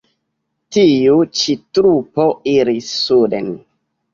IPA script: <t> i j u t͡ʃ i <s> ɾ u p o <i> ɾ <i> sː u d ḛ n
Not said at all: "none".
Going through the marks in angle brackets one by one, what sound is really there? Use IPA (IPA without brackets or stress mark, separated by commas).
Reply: t, t, i, i